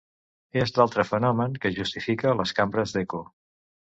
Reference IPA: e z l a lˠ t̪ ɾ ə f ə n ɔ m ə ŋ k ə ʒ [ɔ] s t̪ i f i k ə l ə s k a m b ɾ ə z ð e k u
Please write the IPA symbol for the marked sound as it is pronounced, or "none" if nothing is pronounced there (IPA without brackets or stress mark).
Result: u